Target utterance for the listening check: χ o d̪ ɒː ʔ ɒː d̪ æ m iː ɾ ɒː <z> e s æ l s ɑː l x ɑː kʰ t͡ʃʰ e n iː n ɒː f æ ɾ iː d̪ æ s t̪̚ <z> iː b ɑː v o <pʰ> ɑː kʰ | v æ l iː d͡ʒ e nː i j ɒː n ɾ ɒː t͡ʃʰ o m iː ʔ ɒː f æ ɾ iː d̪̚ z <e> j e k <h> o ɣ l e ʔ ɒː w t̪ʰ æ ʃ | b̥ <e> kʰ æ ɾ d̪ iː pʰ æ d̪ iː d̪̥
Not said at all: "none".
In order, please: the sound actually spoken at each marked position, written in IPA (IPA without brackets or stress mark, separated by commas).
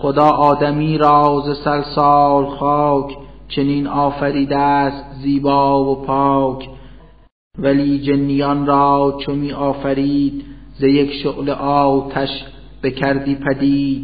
z, z, pʰ, e, ʃ, e